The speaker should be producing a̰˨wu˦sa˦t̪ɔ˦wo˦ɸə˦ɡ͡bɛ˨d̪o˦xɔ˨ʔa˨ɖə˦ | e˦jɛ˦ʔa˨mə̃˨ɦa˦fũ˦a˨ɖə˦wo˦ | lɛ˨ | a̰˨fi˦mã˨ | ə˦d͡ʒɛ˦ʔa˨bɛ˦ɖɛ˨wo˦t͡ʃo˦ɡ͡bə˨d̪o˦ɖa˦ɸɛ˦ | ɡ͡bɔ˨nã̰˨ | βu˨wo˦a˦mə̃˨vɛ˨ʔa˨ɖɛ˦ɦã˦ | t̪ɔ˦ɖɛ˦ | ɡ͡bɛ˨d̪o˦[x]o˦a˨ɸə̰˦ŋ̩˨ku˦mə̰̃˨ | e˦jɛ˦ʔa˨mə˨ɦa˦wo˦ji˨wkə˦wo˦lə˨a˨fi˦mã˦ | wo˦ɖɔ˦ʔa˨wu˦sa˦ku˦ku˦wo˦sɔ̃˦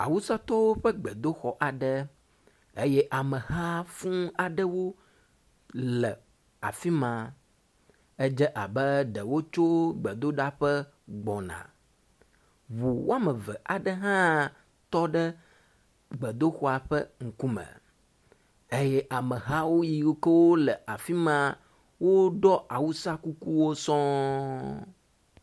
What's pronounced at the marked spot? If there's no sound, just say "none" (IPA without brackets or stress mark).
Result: x